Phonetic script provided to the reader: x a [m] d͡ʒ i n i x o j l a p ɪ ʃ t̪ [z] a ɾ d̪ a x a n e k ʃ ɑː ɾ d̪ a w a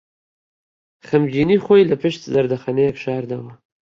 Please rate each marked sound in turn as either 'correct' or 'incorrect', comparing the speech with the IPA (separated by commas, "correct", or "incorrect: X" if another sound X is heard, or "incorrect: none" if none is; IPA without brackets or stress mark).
correct, correct